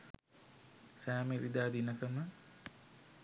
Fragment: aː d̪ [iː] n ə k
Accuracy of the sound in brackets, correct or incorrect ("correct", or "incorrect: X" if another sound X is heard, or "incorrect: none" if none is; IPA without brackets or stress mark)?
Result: incorrect: i